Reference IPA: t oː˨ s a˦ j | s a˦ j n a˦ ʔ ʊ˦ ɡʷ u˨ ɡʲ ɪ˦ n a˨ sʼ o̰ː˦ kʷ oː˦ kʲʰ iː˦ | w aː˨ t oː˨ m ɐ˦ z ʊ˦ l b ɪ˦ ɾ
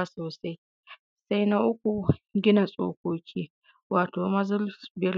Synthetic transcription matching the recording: s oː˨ s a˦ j | s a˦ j n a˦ ʔ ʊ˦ kʷ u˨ ɡʲ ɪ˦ n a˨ sʼ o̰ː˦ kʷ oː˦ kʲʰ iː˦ | w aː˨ t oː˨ m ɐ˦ z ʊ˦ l b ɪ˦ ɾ